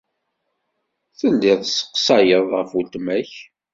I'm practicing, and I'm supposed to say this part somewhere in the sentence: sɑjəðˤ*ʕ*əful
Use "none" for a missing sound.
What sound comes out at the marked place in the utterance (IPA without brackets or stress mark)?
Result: ʁ